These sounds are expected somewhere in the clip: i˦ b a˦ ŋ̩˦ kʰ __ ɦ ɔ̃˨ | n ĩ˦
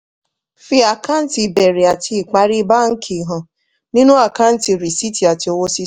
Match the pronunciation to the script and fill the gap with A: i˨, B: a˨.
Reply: A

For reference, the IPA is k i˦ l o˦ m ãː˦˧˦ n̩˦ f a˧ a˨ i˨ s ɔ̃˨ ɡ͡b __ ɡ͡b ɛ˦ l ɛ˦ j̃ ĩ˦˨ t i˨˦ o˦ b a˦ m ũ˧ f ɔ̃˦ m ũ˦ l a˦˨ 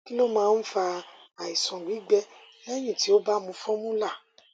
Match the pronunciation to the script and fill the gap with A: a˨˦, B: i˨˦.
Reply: B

